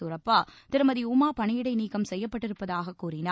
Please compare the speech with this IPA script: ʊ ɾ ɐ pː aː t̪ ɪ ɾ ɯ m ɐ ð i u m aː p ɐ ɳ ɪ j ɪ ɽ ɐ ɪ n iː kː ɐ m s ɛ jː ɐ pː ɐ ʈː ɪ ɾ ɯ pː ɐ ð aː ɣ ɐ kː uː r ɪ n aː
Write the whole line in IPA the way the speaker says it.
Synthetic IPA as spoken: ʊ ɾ ɐ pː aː t̪ ɪ ɾ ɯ m ɐ ð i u m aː p ɐ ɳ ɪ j ɪ ɽ ɐ ɪ n iː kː ɐ m s ɛ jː ɐ pː ɐ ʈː ɪ ɾ ɯ pː ɐ ð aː ɣ ɐ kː uː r ɪ n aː